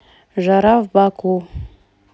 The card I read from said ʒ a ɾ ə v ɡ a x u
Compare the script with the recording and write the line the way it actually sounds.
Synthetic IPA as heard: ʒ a ɾ a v b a k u